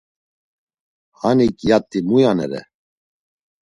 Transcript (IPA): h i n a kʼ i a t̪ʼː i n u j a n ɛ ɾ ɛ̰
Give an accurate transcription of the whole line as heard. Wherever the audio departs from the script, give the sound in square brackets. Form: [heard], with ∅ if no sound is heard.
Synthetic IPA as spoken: h [a] n [i] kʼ [j] a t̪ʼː i [m] u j a n ɛ ɾ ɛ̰